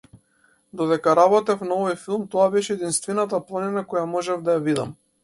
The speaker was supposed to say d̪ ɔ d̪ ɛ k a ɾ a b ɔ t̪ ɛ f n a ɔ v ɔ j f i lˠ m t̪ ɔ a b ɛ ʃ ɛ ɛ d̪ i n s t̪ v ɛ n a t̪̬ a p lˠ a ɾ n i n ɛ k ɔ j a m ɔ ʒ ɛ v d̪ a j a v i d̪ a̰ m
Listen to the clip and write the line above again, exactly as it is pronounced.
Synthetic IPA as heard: d̪ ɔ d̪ ɛ k a ɾ a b ɔ t̪ ɛ f n a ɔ v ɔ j f i lˠ m t̪ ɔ a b ɛ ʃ ɛ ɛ d̪ i n s t̪ v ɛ n a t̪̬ a p lˠ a n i n a k ɔ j a m ɔ ʒ ɛ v d̪ a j a v i d̪ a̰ m

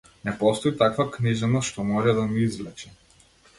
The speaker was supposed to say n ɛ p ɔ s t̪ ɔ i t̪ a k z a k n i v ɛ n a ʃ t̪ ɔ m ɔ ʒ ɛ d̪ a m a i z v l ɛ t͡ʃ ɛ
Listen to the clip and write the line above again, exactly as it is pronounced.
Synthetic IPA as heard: n ɛ p ɔ s t̪ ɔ i t̪ a k v a k n i ʒ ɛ n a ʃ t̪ ɔ m ɔ ʒ ɛ d̪ a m i i z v l ɛ t͡ʃ ɛ

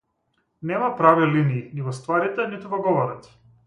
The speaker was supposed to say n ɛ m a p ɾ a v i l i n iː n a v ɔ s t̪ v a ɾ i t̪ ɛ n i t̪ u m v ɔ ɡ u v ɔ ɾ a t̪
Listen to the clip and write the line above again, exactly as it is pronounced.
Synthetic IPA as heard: n ɛ m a p ɾ a v i l i n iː n i v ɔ s t̪ v a ɾ i t̪ ɛ n i t̪ u v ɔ ɡ ɔ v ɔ ɾ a t̪

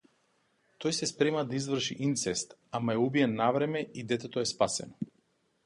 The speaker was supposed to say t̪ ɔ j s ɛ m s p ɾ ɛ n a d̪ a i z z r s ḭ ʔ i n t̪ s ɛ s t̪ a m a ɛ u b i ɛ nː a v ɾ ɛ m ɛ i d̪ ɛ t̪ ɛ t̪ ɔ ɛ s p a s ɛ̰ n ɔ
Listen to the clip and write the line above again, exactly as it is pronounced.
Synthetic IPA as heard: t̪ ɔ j s ɛ s p ɾ ɛ m a d̪ a i z v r ʃ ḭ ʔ i n t̪ s ɛ s t̪ a m a ɛ u b i ɛ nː a v ɾ ɛ m ɛ i d̪ ɛ t̪ ɛ t̪ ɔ ɛ s p a s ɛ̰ n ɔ

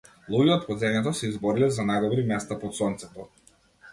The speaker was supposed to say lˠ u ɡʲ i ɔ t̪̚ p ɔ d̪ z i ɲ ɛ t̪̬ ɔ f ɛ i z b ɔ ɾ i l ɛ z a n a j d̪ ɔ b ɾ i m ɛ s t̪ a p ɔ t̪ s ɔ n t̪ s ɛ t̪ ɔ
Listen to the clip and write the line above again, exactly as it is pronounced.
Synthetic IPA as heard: lˠ u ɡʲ i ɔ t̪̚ p ɔ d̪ z ɛ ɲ ɛ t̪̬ ɔ s ɛ i z b ɔ ɾ i l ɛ z a n a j d̪ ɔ b ɾ i m ɛ s t̪ a p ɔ t̪ s ɔ n t̪ s ɛ t̪ ɔ

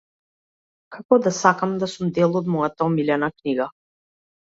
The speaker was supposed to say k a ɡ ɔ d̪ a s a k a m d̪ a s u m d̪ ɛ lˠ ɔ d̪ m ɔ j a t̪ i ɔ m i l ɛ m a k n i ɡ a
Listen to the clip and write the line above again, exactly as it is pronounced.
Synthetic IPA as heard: k a k ɔ d̪ a s a k a m d̪ a s u m d̪ ɛ lˠ ɔ d̪ m ɔ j a t̪ a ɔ m i l ɛ n a k n i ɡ a

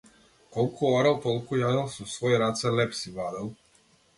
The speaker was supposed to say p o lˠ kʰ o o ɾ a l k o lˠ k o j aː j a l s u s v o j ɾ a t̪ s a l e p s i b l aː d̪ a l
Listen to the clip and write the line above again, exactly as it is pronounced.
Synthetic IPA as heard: k o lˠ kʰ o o ɾ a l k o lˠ k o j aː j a l s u s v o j ɾ a t̪ s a l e p s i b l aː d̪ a l

